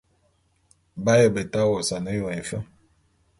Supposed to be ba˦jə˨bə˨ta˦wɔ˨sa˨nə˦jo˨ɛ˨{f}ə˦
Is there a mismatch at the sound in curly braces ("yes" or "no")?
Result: no